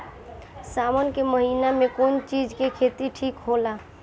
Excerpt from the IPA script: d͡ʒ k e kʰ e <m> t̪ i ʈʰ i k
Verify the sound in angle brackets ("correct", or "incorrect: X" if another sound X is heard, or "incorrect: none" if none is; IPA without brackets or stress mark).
incorrect: none